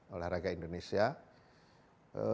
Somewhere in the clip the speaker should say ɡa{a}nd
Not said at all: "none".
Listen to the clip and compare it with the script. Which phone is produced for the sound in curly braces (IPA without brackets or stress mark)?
i